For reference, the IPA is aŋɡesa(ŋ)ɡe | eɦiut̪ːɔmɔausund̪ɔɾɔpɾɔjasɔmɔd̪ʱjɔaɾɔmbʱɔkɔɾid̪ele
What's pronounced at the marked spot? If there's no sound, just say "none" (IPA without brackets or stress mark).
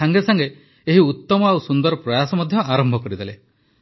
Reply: ŋ